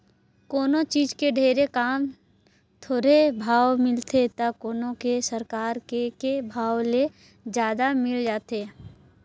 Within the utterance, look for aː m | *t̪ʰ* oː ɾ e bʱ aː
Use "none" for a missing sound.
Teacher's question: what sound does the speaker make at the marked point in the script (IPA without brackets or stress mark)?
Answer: t̪ʰ